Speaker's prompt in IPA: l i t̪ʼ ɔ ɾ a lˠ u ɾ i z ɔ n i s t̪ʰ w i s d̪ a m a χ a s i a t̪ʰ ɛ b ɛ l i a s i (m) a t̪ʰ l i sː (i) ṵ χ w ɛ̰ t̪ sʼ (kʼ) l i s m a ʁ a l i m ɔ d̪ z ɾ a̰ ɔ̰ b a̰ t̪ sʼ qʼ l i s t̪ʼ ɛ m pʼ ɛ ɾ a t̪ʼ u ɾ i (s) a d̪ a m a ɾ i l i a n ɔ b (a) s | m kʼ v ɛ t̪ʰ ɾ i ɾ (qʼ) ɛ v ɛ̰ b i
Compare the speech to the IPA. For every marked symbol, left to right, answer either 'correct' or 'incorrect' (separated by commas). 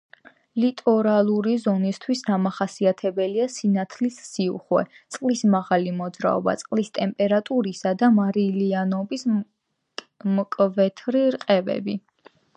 incorrect, correct, incorrect, correct, incorrect, correct